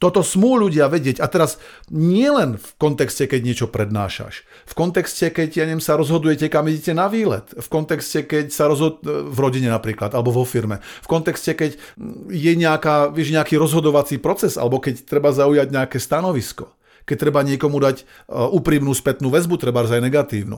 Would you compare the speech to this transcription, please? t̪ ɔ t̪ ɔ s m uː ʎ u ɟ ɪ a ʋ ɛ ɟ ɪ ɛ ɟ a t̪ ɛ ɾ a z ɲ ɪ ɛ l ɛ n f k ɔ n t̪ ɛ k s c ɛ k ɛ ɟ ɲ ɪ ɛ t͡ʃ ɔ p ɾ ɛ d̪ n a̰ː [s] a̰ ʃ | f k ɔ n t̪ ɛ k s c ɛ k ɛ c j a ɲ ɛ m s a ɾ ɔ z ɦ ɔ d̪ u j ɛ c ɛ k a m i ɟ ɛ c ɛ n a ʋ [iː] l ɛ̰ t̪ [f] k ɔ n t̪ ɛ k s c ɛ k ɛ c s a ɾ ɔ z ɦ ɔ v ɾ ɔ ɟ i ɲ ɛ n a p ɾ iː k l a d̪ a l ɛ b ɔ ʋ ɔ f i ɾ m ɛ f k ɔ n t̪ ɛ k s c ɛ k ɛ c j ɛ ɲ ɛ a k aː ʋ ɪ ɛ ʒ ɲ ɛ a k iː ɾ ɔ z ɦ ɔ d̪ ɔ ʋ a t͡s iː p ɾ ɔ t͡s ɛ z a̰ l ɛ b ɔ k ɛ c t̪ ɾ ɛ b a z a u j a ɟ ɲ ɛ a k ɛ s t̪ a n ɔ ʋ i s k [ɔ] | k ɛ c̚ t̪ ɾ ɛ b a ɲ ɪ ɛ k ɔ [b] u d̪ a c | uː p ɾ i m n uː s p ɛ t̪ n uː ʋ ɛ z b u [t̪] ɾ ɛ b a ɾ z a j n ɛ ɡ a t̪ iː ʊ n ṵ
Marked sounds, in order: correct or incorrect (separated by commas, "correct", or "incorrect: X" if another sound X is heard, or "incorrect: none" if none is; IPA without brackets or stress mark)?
incorrect: ʃ, correct, correct, correct, incorrect: m, correct